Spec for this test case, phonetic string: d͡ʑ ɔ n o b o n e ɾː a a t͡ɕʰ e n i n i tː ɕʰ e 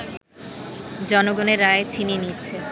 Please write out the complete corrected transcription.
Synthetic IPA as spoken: d͡ʑ ɔ n o ɡ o n e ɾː a e t͡ɕʰ i n i n i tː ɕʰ e